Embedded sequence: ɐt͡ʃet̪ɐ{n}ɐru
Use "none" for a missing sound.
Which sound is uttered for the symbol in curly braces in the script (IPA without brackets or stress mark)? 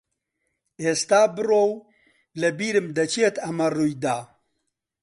m